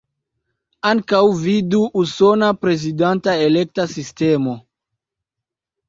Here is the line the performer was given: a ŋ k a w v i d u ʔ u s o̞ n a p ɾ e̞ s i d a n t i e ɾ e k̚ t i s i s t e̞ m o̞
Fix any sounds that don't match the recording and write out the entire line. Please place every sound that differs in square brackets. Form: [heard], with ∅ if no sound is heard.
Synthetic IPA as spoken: a ŋ k a w v i d u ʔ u s o̞ n a p ɾ e̞ [z] i d a n t [a] e [l] e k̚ t [a] s i s t e̞ m o̞